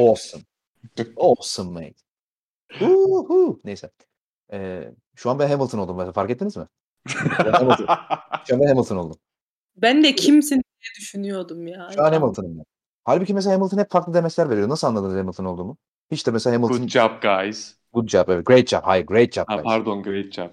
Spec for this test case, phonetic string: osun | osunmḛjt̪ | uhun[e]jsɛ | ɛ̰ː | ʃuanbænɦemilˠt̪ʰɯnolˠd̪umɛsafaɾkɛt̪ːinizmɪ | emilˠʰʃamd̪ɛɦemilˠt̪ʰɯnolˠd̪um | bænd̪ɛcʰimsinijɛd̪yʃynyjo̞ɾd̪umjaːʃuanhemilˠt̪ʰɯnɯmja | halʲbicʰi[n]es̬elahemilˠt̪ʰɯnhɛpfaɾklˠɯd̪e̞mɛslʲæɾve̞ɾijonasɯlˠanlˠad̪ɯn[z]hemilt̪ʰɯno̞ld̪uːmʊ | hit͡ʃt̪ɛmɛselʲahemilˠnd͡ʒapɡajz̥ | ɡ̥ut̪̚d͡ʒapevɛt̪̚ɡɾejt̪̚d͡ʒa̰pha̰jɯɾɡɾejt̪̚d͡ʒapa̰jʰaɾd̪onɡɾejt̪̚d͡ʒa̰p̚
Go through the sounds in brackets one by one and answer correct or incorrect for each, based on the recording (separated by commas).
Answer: correct, incorrect, correct